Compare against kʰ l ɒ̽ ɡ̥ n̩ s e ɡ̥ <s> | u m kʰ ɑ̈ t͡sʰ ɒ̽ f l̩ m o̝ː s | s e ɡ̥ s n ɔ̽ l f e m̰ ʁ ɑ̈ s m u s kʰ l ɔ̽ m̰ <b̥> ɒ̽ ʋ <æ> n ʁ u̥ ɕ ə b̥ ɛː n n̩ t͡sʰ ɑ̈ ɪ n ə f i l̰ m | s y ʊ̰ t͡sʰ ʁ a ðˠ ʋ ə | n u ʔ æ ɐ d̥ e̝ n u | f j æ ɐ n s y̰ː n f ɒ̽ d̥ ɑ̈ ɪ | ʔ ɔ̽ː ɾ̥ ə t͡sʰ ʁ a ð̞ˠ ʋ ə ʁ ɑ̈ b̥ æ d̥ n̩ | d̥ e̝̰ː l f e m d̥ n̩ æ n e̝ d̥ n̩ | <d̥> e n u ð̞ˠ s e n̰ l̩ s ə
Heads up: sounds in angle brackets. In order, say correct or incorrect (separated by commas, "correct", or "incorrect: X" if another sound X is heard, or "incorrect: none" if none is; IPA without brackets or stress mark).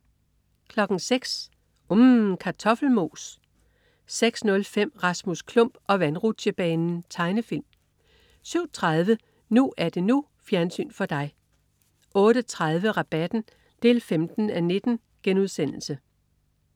correct, correct, correct, incorrect: ɡ̥